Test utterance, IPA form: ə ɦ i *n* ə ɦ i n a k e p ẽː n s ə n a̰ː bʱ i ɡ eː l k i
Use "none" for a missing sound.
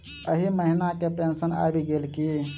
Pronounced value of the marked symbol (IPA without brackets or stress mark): m